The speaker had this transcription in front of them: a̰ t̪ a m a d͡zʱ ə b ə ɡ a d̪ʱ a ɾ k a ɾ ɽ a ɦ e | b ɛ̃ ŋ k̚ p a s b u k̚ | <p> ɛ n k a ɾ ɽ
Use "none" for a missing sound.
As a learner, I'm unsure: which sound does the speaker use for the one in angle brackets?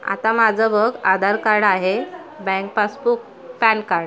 p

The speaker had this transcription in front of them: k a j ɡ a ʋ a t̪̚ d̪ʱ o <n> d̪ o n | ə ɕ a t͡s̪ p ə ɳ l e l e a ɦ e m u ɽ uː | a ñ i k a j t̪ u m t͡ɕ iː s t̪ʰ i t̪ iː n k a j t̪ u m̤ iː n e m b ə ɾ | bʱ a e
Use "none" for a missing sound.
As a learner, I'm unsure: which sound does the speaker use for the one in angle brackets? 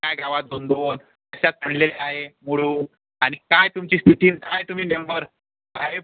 n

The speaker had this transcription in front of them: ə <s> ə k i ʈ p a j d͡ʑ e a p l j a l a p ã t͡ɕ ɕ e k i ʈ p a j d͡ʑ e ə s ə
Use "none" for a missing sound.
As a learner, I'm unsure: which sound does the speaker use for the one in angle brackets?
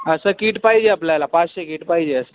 s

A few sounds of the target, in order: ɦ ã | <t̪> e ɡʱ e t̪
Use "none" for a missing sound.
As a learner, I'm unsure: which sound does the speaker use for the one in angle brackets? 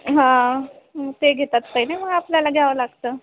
t̪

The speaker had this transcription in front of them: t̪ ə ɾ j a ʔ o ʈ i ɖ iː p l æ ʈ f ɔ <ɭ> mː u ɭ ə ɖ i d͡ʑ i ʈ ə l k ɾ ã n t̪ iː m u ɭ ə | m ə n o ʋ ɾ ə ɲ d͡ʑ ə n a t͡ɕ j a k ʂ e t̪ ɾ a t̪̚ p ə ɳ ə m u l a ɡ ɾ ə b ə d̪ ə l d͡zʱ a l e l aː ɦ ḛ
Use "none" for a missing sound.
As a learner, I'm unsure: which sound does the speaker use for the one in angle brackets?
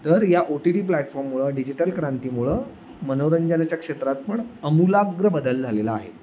ɾ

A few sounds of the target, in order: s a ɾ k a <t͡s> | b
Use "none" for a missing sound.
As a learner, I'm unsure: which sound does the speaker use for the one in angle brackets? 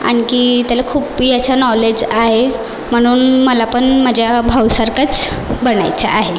t͡s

